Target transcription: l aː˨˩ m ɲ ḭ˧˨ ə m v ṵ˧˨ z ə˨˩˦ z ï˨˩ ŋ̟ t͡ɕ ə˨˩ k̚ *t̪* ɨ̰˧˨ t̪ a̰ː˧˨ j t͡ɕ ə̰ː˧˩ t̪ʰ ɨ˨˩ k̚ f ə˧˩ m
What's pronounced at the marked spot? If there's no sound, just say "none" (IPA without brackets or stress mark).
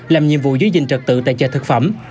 t̪